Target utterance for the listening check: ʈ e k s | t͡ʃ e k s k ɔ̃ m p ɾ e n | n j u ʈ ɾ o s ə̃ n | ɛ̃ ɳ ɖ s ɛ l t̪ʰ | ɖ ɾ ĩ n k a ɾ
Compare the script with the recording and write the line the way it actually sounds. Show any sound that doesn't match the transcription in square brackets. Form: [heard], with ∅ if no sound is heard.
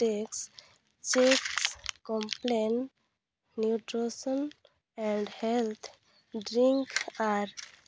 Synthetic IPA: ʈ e k s | t͡ʃ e k s k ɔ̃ m p [l] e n | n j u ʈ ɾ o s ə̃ n | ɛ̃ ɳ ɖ [h] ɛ l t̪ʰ | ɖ ɾ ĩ [ŋ] k a ɾ